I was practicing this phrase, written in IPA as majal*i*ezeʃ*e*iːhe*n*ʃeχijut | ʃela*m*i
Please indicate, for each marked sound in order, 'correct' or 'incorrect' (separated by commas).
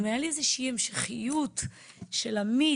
correct, incorrect, incorrect, correct